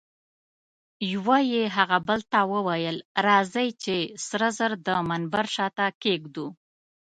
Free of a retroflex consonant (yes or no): yes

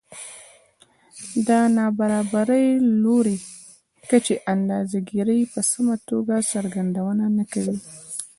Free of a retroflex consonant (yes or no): yes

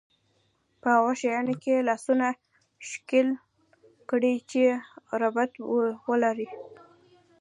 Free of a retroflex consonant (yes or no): no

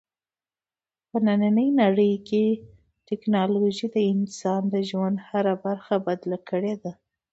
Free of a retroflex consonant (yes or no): no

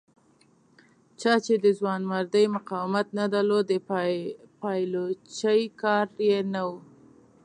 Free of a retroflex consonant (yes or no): yes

